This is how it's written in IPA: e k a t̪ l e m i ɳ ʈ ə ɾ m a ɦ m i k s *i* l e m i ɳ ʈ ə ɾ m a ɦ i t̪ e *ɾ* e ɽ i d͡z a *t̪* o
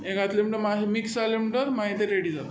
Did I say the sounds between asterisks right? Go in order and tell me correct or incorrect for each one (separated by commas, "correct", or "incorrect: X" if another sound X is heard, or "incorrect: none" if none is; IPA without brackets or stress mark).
incorrect: a, correct, correct